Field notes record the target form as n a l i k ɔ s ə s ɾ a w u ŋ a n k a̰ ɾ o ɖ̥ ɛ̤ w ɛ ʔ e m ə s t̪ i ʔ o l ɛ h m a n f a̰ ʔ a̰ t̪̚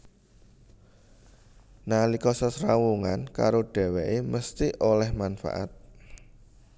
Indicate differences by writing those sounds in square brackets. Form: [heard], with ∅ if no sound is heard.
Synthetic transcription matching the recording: n a l i k ɔ s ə s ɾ a w u ŋ a n k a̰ ɾ o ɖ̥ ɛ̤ w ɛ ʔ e m ə s t̪ i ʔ o l ɛ h m a n f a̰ ʔ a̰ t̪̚